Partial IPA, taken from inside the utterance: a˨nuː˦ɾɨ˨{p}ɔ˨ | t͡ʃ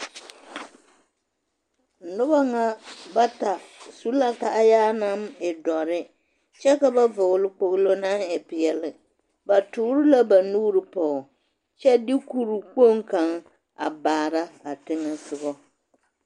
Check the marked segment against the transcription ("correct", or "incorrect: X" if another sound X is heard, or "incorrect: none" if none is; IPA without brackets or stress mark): correct